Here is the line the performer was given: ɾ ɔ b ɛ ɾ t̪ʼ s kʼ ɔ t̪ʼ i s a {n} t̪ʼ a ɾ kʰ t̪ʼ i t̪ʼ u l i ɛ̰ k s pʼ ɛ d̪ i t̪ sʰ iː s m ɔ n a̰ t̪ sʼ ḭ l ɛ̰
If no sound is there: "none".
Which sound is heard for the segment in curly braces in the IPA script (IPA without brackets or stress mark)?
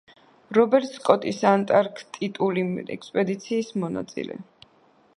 n